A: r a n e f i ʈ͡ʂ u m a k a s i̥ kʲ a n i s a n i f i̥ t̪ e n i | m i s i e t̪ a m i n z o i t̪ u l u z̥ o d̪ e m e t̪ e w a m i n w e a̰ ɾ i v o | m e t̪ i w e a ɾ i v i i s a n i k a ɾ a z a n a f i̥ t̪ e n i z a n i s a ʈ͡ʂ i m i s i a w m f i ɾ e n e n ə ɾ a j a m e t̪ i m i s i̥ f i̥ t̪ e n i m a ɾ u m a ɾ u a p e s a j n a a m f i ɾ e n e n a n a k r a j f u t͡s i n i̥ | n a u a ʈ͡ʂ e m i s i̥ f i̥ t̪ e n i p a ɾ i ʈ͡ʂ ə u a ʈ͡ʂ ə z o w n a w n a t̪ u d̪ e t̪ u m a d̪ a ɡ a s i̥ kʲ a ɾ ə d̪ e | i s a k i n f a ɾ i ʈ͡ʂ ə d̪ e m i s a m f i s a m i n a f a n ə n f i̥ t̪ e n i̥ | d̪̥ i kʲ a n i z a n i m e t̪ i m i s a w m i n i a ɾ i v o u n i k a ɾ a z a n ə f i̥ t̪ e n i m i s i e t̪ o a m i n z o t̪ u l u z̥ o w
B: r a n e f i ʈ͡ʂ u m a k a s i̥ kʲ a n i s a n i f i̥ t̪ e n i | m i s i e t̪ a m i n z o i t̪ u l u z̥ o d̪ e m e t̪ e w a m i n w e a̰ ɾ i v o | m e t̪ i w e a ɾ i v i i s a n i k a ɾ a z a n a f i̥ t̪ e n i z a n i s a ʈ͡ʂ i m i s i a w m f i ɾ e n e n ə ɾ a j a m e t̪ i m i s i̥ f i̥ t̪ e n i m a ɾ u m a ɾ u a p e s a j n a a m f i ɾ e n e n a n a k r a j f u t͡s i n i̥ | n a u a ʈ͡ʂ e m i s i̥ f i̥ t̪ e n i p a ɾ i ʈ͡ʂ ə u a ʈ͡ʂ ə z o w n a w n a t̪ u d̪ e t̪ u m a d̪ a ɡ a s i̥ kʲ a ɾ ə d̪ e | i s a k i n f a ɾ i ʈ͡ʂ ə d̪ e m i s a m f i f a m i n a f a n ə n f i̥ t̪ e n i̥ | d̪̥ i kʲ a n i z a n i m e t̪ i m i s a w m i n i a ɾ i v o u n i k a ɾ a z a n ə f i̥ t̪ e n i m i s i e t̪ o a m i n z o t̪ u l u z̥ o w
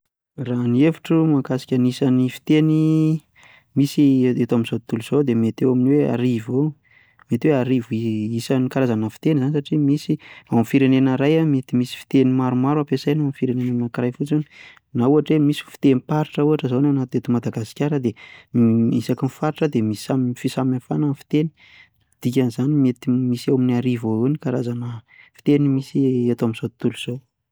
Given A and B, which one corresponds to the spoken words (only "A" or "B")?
A